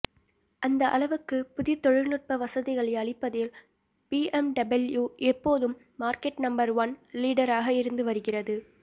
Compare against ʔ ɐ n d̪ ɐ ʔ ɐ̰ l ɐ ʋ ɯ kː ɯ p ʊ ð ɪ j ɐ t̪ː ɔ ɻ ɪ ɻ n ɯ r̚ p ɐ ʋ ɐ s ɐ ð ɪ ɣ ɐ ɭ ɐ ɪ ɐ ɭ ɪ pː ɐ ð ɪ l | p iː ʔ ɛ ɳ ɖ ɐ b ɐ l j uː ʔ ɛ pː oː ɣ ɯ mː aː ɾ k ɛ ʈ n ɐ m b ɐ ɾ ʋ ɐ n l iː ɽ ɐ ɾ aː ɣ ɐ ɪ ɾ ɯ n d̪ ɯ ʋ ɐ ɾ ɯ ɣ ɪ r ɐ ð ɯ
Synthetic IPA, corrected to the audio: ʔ ɐ n d̪ ɐ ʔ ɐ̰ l ɐ ʋ ɯ kː ɯ p ʊ ð ɪ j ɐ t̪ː ɔ ɻ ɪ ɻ n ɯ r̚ p ɐ ʋ ɐ s ɐ ð ɪ ɣ ɐ ɭ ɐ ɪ ɐ ɭ ɪ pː ɐ ð ɪ l | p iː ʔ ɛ m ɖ ɐ b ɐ l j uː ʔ ɛ pː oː ð ɯ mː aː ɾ k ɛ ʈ n ɐ m b ɐ ɾ ʋ ɐ n l iː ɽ ɐ ɾ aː ɣ ɐ ɪ ɾ ɯ n d̪ ɯ ʋ ɐ ɾ ɯ ɣ ɪ r ɐ ð ɯ